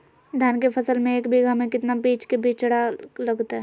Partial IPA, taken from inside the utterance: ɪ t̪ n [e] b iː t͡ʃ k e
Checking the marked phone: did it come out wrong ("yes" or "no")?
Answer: yes